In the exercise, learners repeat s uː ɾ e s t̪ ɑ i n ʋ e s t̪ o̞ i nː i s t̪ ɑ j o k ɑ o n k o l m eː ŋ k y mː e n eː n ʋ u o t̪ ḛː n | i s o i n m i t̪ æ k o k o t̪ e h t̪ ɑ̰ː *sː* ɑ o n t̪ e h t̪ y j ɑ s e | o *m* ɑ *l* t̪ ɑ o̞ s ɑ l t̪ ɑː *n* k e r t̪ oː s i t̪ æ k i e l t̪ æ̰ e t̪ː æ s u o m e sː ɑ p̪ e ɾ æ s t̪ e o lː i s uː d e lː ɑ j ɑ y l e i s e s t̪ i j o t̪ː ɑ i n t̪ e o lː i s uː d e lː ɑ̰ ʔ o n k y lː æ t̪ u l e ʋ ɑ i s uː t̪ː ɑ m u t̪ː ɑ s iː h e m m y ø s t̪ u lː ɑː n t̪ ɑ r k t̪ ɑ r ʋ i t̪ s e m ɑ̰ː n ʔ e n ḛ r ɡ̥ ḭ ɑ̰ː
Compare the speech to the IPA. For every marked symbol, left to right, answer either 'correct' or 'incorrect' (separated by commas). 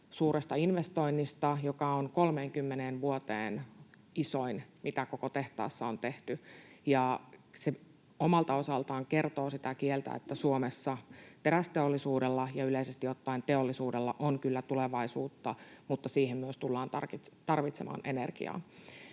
correct, correct, correct, incorrect